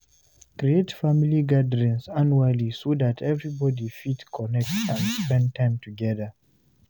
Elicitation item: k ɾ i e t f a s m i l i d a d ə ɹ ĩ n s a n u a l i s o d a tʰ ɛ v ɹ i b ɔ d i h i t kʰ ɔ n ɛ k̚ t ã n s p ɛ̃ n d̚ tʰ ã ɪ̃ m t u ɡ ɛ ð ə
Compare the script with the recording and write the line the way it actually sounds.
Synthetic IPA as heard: k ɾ i e t f a m i l i ɡ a d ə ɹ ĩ n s a n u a l i s o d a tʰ ɛ v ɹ i b ɔ d i f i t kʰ ɔ n ɛ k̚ t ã n s p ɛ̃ n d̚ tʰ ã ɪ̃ m t u ɡ ɛ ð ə